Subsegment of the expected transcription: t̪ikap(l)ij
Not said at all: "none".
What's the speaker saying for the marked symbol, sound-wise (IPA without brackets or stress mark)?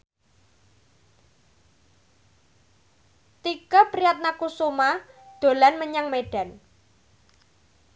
ɾ